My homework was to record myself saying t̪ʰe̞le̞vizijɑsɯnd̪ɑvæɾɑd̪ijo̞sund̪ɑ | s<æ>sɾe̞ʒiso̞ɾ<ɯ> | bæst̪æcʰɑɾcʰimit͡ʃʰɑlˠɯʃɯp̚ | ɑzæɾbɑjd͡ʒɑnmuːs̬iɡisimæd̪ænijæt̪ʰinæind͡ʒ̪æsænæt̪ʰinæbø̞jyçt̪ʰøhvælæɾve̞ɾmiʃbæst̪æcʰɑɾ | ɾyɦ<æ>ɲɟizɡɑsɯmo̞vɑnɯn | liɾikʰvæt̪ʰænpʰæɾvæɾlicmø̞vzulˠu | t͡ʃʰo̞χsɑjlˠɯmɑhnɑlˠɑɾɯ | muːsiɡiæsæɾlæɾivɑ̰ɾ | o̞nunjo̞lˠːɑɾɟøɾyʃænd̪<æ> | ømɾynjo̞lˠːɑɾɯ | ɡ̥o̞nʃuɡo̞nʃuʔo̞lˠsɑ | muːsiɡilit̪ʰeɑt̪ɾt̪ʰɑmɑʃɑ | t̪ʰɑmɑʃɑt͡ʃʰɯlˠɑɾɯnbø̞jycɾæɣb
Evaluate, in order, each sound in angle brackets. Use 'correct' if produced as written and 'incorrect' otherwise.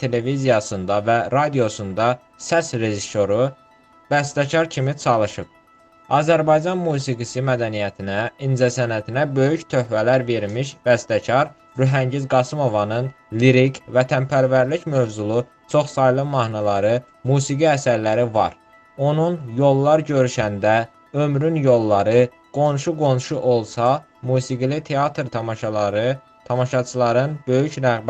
correct, incorrect: u, correct, correct

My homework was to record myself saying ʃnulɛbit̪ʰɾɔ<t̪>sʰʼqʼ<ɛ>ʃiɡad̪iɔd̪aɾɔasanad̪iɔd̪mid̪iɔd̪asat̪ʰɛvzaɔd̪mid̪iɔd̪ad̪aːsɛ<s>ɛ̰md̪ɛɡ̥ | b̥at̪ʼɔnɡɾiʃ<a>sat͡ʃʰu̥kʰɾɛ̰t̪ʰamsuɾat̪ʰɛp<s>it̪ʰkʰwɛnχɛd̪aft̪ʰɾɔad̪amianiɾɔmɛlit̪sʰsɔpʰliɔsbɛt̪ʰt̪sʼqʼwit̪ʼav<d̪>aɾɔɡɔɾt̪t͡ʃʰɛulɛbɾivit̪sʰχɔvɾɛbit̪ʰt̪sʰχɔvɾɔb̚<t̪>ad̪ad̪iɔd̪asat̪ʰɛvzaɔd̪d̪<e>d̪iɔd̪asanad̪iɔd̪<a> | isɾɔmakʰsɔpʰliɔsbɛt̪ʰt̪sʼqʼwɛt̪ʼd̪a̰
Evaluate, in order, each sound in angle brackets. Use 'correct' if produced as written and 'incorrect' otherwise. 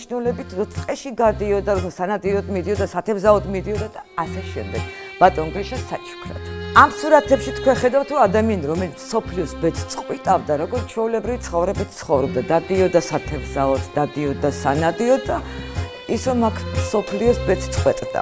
correct, correct, incorrect: ʃ, correct, incorrect: ʃ, correct, incorrect: d̪, incorrect: a, correct

